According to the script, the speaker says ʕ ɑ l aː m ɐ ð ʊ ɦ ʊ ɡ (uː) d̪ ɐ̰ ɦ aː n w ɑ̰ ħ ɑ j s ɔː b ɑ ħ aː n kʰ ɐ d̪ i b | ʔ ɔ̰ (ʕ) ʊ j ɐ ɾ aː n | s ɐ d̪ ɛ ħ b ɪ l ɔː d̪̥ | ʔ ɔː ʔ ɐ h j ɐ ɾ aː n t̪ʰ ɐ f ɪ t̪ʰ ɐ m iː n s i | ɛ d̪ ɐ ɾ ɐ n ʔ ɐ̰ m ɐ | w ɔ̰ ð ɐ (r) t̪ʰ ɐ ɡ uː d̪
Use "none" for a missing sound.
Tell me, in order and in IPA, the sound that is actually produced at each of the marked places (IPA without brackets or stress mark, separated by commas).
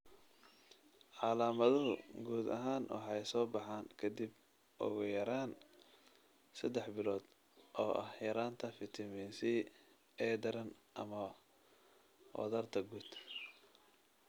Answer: uː, ɣ, r